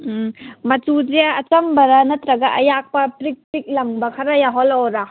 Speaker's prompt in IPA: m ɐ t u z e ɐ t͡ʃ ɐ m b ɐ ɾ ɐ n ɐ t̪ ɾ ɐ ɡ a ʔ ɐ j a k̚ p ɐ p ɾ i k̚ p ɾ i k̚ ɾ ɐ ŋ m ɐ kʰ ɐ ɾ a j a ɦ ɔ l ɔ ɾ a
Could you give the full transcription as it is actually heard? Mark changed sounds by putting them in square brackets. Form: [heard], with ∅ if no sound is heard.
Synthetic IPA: m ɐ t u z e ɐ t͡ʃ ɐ m b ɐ ɾ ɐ n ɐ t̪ ɾ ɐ ɡ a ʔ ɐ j a k̚ p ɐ p ɾ i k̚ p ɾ i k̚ [l] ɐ ŋ [b] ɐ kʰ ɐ ɾ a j a ɦ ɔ l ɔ ɾ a